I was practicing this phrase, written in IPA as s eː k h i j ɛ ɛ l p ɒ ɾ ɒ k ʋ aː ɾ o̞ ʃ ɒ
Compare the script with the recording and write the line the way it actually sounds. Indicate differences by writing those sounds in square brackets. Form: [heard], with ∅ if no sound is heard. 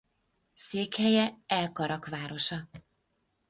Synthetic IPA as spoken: s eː k h [ɛ] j ɛ ɛ l [k] ɒ ɾ ɒ k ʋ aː ɾ o̞ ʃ ɒ